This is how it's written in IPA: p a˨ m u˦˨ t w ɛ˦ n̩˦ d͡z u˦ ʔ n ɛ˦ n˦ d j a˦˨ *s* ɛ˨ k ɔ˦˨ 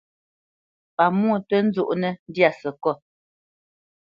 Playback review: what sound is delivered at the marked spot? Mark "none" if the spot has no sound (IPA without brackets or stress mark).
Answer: s